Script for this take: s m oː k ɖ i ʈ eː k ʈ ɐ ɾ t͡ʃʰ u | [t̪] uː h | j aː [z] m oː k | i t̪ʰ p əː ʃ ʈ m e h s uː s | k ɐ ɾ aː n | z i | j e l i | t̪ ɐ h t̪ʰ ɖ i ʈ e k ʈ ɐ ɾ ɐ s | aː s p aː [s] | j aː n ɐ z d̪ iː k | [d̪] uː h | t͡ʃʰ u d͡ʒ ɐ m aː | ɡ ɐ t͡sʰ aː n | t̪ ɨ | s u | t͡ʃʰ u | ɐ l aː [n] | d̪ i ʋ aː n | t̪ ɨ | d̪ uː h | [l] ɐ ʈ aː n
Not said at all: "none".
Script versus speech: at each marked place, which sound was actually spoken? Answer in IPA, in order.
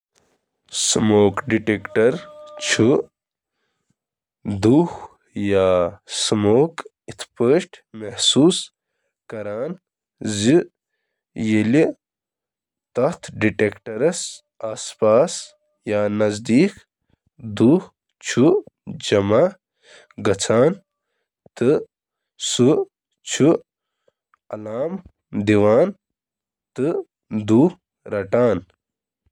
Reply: d̪, s, s, d̪, m, ɾ

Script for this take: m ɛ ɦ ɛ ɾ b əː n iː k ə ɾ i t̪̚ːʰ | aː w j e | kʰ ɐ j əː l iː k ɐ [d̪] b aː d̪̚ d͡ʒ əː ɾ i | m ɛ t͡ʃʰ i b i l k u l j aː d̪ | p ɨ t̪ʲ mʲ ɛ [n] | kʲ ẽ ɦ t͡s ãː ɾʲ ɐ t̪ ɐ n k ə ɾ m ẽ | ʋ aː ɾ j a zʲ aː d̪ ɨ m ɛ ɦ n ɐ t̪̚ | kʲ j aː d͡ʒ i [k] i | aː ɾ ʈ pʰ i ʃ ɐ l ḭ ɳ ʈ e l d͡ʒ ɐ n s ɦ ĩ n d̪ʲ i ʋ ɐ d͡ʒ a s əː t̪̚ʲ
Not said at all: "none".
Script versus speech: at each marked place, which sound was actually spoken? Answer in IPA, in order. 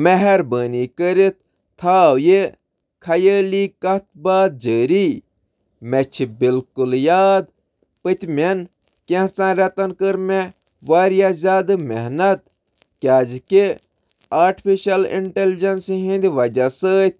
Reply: t̪, n, k

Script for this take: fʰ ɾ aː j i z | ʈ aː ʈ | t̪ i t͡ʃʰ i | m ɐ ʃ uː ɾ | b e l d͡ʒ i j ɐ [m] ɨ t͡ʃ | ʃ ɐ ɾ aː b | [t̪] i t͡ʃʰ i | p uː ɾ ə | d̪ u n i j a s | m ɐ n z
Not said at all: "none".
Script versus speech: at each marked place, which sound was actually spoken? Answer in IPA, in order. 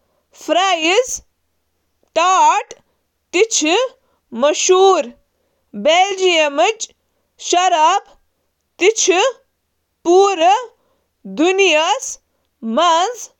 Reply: m, t̪

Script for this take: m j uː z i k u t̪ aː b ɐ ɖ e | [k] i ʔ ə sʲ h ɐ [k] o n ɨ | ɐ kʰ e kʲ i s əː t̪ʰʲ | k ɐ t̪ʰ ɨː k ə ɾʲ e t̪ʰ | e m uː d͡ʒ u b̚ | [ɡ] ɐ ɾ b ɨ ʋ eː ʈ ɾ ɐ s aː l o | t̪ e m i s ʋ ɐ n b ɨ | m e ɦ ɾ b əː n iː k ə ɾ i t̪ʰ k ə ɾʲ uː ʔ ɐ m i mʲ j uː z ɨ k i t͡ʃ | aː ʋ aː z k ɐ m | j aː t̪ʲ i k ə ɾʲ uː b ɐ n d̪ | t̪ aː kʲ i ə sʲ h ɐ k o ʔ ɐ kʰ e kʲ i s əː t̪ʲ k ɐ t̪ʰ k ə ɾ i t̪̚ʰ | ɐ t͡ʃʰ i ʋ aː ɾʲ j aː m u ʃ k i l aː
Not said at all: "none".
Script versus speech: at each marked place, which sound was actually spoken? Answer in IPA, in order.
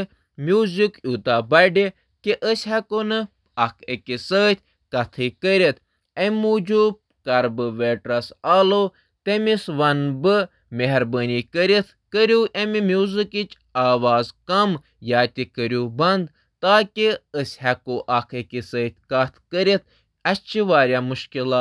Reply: k, k, k

